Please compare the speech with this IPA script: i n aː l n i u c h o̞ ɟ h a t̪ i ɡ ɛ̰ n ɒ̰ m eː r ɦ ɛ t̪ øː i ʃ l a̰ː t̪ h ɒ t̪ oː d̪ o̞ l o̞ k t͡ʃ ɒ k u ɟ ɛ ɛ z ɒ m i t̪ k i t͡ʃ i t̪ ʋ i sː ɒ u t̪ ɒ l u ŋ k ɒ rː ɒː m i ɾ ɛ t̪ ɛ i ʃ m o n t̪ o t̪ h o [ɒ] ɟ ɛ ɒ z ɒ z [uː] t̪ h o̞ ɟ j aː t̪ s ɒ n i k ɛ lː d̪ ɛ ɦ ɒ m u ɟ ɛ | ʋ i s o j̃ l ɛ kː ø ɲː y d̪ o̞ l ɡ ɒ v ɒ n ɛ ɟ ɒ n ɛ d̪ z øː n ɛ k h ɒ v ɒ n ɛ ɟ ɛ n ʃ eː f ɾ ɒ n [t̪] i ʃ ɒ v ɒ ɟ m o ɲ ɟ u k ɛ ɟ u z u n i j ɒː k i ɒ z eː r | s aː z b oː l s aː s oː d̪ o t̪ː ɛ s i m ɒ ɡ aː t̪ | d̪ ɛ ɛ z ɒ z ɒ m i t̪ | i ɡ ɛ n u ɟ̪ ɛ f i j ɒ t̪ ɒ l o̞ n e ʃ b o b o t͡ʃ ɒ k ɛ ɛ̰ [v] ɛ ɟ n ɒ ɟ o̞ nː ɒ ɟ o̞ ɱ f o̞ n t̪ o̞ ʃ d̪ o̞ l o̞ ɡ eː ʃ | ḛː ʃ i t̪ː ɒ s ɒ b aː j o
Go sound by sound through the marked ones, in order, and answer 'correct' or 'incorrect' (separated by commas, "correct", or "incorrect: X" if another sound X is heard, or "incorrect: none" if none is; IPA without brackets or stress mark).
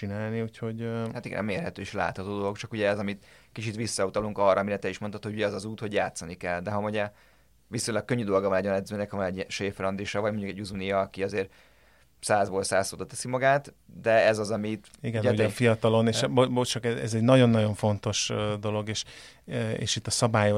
incorrect: u, correct, incorrect: d̪, incorrect: z